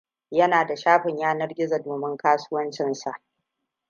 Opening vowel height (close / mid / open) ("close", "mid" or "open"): open